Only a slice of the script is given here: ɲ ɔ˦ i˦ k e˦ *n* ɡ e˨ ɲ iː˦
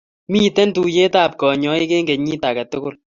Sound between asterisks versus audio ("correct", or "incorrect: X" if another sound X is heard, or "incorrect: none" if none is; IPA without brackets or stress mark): incorrect: ŋ